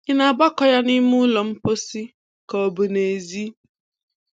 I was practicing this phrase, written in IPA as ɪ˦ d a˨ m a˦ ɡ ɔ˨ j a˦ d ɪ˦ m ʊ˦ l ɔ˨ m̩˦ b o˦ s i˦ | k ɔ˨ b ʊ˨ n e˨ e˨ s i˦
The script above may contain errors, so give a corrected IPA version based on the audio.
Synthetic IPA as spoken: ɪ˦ n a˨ b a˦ k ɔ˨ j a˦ n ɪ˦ m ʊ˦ l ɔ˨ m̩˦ p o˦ s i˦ | k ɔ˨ b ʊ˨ n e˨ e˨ z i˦